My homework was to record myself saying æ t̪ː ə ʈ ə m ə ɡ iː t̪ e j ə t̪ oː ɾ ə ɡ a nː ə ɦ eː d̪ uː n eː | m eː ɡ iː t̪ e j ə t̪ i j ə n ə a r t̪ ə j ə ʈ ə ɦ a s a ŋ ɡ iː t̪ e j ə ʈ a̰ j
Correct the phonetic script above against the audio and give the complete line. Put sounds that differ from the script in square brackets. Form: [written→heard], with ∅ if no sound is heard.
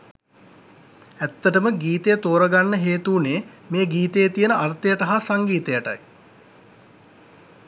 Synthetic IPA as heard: æ t̪ː ə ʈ ə m ə ɡ iː t̪ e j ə t̪ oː ɾ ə ɡ a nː ə ɦ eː [d̪→t̪] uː n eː | m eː ɡ iː t̪ e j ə t̪ i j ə n ə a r t̪ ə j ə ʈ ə ɦ a s a ŋ ɡ iː t̪ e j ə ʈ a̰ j